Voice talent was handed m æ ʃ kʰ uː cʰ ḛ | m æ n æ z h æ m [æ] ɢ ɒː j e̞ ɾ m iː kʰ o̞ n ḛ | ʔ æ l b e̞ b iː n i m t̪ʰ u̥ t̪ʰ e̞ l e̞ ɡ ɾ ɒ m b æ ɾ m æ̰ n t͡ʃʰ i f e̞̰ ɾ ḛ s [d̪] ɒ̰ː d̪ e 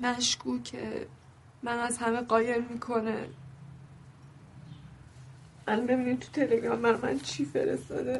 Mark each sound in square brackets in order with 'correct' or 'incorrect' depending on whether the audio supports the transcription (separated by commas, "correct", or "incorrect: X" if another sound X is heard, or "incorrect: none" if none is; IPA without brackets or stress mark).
incorrect: e, incorrect: t̪